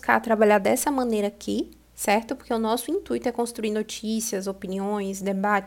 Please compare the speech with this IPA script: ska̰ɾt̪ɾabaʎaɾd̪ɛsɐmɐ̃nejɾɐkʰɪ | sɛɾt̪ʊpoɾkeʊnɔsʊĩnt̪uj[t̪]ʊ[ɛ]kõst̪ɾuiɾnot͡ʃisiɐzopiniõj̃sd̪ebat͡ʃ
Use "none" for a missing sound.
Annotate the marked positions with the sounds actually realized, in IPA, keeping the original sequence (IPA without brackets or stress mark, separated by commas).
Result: t̪, ɛ